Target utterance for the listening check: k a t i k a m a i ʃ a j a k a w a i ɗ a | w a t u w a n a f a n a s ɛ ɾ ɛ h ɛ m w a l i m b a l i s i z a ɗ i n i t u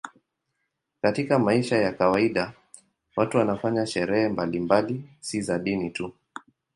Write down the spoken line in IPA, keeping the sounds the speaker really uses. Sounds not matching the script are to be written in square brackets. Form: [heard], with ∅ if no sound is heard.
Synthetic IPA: k a t i k a m a i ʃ a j a k a w a i ɗ a | w a t u w a n a f a [ɲ] a [ʃ] ɛ ɾ ɛ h ɛ m [b] a l i m b a l i s i z a ɗ i n i t u